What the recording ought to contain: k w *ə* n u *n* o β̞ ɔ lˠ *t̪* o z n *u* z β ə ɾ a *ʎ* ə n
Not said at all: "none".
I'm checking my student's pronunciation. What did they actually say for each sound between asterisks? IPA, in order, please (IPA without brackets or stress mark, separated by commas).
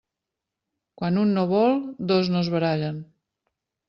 a, nː, d̪, o, ʎ